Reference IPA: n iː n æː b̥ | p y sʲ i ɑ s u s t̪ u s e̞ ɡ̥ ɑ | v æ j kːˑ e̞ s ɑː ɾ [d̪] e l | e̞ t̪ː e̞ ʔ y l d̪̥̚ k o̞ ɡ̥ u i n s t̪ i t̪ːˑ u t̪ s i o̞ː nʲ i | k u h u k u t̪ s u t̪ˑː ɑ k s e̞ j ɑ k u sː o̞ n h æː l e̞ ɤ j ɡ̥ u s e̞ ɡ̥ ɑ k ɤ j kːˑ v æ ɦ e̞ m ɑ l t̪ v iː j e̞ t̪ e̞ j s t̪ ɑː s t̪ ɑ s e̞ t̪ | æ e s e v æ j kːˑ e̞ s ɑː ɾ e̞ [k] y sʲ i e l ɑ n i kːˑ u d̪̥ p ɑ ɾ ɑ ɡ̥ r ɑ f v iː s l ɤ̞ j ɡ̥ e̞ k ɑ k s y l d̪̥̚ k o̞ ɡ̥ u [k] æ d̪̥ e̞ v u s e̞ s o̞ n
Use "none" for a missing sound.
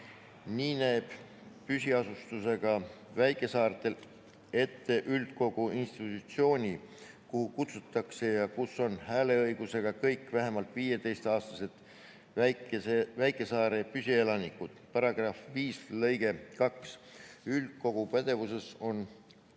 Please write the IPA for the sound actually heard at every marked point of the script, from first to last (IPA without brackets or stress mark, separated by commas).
t̪, p, p